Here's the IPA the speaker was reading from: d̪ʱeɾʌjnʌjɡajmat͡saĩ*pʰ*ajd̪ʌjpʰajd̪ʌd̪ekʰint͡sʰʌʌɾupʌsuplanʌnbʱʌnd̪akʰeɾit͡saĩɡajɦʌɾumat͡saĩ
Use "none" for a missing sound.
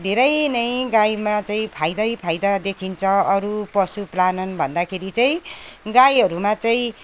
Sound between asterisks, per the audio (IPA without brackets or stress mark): pʰ